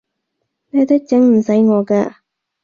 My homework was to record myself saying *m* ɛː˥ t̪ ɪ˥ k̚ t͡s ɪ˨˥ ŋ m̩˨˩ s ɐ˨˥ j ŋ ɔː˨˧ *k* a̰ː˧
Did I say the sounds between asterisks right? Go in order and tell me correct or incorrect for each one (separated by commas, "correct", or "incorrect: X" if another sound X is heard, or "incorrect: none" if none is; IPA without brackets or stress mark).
incorrect: n, correct